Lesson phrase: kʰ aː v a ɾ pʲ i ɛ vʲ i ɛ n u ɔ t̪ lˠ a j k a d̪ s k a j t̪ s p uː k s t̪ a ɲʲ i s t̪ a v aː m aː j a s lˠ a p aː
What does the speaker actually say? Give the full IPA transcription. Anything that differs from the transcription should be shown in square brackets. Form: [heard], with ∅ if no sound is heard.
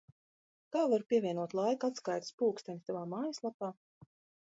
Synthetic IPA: [k] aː v a ɾ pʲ i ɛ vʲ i ɛ n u ɔ t̪ lˠ a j k a [t̪] s k a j t̪ s p uː k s t̪ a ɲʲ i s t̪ a v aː m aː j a s lˠ a p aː